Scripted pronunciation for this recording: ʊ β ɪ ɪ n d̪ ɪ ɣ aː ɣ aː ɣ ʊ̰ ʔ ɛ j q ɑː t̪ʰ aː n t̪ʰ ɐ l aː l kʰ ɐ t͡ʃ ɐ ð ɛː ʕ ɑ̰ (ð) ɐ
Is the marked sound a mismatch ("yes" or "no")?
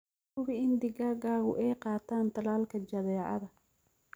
no